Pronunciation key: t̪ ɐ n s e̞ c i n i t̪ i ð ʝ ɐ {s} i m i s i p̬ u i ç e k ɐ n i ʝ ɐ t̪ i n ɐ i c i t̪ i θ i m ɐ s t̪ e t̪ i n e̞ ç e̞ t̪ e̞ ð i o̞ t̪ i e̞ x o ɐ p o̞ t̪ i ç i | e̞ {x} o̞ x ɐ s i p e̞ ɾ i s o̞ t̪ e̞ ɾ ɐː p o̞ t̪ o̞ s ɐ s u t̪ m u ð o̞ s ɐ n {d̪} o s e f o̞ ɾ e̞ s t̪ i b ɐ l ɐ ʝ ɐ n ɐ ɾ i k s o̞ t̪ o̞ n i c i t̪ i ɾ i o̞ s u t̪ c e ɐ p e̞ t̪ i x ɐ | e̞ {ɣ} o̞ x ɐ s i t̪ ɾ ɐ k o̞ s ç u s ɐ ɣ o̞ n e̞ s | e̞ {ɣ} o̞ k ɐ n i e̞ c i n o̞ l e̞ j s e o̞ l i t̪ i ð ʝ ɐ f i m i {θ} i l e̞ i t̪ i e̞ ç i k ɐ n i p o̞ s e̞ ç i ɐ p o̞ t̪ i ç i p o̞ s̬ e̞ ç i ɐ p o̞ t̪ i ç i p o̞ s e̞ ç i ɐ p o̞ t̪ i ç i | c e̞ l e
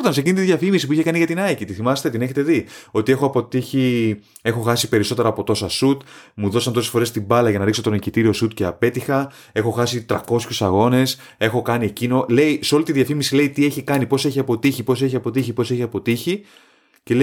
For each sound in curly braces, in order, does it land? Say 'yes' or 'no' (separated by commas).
no, yes, no, no, no, no